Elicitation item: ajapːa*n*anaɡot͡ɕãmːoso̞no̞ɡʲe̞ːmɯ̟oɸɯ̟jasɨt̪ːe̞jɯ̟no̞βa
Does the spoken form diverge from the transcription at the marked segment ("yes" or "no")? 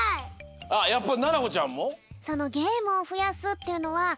no